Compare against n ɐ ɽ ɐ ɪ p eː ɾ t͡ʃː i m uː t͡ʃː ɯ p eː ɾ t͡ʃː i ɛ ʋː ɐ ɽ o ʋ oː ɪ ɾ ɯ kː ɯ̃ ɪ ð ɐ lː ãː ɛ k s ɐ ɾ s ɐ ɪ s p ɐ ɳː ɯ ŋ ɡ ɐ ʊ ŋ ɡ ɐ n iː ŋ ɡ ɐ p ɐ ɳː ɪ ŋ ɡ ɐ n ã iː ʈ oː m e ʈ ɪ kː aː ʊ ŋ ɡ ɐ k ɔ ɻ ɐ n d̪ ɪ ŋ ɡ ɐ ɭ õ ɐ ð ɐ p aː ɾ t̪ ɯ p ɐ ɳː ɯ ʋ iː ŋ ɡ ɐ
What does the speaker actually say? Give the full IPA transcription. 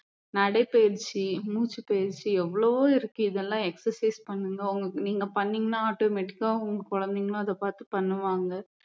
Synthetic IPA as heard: n ɐ ɽ ɐ ɪ p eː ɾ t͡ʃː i m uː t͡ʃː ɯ p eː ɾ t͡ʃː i ɛ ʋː ɐ ɭ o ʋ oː ɪ ɾ ɯ kː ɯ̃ ɪ ð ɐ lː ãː ɛ k s ɐ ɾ s ɐ ɪ s p ɐ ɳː ɯ ŋ ɡ ɐ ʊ ŋ ɡ ɐ n iː ŋ ɡ ɐ p ɐ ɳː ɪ ŋ ɡ ɐ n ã aː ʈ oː m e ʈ ɪ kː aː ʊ ŋ ɡ ɐ k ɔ ɻ ɐ n d̪ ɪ ŋ ɡ ɐ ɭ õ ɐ ð ɐ p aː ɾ t̪ ɯ p ɐ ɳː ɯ ʋ aː ŋ ɡ ɐ